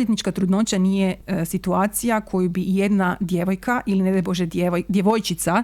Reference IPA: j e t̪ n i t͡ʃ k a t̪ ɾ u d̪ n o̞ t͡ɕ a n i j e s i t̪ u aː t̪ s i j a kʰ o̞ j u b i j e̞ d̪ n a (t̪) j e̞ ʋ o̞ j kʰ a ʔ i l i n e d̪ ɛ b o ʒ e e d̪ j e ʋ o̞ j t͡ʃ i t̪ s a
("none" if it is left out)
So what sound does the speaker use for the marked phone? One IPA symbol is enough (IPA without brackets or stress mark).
d̪